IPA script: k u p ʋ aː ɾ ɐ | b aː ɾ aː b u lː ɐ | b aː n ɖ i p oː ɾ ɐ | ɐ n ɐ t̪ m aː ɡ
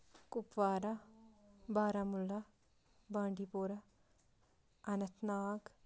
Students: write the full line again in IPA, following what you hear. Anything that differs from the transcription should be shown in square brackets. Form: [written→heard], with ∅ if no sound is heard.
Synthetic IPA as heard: k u p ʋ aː ɾ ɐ | b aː ɾ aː [b→m] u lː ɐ | b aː [n→ɳ] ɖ i p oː ɾ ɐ | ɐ n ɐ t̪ [m→n] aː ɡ

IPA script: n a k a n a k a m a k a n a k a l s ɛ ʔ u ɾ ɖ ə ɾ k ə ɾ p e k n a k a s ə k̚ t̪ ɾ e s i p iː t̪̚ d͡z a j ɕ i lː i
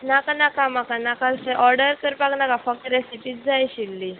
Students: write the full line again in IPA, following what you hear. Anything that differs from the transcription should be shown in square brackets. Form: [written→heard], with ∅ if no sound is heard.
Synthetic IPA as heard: n a k a n a k a m a k a n a k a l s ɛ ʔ [u→ɔ] ɾ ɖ ə ɾ k ə ɾ p [e→a] k n a k a [s→f] ə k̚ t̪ ɾ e s i p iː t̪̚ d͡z a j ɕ i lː i

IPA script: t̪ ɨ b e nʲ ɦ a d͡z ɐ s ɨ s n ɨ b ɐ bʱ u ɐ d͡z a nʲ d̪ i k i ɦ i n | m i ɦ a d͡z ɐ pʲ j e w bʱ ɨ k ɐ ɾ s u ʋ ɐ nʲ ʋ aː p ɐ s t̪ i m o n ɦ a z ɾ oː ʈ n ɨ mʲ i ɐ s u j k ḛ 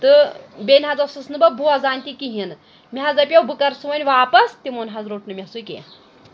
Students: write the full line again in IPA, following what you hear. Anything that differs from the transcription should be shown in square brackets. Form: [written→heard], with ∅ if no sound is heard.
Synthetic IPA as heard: t̪ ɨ b e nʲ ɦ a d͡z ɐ s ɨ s n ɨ b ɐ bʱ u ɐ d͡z a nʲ [d̪→t̪] i k i ɦ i n | m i ɦ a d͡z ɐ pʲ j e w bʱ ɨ k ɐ ɾ s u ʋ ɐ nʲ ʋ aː p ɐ s t̪ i m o n ɦ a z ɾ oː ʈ n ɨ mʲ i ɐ s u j k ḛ

